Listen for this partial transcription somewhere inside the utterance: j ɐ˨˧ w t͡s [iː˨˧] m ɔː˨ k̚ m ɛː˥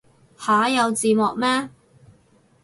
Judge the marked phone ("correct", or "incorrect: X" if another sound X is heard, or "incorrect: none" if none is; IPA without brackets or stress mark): correct